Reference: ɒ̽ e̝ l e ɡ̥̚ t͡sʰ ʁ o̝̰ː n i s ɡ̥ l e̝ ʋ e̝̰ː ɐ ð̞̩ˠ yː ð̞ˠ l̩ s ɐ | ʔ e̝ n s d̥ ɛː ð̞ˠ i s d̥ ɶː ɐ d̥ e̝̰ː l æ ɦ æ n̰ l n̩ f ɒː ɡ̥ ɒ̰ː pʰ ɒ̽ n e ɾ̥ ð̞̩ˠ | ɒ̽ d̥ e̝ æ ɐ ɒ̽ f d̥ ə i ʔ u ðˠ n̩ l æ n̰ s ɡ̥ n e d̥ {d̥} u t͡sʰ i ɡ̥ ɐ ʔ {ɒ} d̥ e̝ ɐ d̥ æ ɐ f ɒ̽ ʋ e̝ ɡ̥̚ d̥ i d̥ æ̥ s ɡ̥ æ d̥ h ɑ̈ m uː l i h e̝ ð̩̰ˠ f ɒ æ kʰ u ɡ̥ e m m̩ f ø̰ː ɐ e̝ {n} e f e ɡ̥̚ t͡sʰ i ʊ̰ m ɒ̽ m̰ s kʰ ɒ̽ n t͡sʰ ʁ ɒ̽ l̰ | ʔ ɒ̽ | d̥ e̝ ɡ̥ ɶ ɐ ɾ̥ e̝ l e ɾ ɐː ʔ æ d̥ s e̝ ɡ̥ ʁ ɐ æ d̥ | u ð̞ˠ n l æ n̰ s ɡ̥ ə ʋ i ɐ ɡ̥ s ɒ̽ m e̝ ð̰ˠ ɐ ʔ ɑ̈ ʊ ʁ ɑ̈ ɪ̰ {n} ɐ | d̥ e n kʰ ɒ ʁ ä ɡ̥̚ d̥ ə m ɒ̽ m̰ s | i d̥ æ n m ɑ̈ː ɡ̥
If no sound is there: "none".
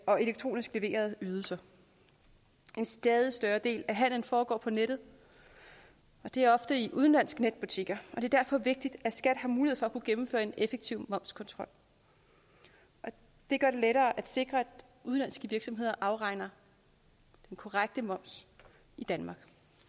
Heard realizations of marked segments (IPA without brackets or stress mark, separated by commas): b̥, ɒ, n, n